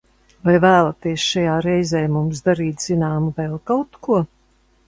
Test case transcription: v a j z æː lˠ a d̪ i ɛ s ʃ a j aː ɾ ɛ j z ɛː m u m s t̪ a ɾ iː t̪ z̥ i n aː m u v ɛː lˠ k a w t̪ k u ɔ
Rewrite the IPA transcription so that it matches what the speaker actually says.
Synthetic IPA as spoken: v a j v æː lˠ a t̪ i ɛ s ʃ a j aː ɾ ɛ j z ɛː m u m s d̪ a ɾ iː t̪ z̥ i n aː m u v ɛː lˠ k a w t̪ k u ɔ